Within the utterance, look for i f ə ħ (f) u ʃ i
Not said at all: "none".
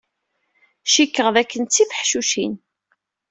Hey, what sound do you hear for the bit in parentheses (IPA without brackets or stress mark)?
ʃ